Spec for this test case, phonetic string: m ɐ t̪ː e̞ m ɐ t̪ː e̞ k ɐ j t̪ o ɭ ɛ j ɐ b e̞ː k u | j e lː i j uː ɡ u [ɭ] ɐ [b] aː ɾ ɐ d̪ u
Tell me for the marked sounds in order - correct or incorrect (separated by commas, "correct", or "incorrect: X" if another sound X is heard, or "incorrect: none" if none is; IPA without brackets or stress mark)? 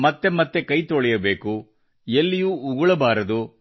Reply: correct, correct